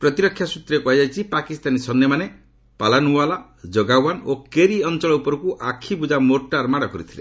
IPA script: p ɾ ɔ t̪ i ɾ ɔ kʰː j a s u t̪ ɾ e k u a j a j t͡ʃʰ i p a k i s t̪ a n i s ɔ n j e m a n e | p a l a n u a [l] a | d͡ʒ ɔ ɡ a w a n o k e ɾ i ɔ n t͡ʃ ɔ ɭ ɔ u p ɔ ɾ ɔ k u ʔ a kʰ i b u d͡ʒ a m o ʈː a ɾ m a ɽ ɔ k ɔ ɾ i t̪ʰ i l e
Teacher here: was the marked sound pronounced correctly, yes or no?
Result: yes